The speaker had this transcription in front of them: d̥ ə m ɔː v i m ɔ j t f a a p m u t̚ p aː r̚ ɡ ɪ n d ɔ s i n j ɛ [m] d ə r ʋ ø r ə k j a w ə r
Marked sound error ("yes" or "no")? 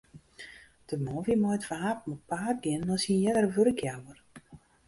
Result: yes